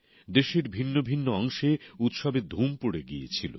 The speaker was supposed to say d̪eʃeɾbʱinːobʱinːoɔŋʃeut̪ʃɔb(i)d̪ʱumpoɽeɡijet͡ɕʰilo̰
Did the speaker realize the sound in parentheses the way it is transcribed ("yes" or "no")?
no